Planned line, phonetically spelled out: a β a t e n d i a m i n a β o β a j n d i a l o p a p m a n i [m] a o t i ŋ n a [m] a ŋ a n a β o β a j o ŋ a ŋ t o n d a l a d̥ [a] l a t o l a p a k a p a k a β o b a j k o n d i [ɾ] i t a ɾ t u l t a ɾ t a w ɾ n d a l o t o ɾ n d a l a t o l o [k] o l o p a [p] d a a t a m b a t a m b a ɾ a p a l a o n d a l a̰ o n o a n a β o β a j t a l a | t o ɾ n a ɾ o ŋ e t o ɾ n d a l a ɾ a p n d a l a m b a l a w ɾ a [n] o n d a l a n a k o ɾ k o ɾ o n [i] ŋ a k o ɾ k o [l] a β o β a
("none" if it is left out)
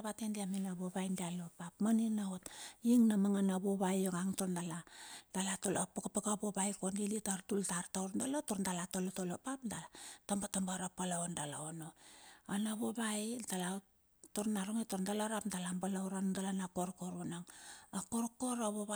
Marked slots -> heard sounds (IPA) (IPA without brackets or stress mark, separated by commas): n, m, a, l, t, p, n, a, ɾ